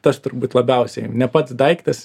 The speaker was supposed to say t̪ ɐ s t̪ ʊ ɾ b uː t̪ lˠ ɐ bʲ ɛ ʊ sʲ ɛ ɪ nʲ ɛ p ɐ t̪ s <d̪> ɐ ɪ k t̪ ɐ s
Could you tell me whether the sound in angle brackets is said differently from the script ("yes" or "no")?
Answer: no